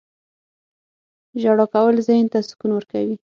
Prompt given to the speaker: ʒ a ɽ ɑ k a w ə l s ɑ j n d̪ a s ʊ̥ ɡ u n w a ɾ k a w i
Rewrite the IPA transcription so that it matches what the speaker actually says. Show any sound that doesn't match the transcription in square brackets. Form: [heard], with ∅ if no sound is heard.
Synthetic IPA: ʒ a ɽ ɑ k a w ə l [z] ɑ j n [t̪] a s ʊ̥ [k] u n w [ə] ɾ k a w i

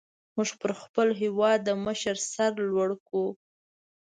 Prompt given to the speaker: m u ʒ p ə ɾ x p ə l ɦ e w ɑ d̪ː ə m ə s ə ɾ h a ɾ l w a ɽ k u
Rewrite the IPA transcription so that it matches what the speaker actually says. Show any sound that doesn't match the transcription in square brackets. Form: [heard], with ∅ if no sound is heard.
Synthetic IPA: m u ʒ p ə ɾ x p ə l ɦ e w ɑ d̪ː ə m ə [ʃ] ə ɾ [s] a ɾ l w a ɽ k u

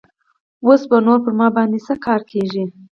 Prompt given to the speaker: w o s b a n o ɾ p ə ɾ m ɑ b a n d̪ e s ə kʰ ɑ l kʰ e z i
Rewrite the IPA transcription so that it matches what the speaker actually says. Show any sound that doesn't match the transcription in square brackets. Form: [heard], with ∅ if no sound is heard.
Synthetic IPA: w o s b a n o ɾ p ə ɾ m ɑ b [ɑ] n d̪ e s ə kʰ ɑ [ɾ] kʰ e [ʒ] i

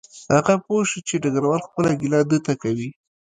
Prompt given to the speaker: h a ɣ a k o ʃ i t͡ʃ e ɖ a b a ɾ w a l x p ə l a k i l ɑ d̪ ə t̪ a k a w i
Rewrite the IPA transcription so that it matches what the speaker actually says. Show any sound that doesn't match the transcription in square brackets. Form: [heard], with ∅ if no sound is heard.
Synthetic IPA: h a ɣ a [p] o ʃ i t͡ʃ e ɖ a [ɡ] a ɾ w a l x p ə l a [ɡ] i l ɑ d̪ ə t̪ a k a w i

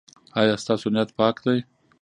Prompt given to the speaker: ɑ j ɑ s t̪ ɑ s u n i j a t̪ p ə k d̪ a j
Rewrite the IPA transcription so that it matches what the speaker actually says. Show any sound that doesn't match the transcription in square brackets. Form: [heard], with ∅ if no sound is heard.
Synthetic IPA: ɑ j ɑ s t̪ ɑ s [o] n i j a t̪ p [ɑ] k d̪ a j

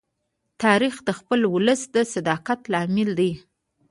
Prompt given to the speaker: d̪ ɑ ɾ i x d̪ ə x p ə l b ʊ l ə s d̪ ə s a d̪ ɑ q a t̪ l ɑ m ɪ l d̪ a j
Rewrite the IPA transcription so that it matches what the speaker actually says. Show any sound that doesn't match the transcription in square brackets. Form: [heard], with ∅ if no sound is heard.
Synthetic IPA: [t̪] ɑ ɾ i x d̪ ə x p ə l [w] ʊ l ə s d̪ ə s a d̪ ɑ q a t̪ l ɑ m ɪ l d̪ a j

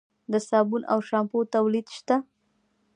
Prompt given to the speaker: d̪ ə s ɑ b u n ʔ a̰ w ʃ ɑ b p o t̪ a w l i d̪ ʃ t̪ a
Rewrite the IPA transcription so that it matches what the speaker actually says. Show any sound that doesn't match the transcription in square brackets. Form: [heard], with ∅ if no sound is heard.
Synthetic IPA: d̪ ə s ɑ b u n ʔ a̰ w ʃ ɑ [m] p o t̪ a w l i d̪ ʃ t̪ a

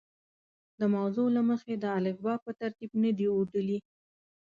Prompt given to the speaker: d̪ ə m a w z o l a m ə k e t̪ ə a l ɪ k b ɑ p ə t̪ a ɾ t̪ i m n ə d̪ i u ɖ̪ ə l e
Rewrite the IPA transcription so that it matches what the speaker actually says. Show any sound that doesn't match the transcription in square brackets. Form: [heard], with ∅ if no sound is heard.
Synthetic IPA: d̪ ə m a w z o l a m ə [x] e [d̪] ə a l ɪ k b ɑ p ə t̪ a ɾ t̪ i [b] n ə d̪ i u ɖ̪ ə l [i]

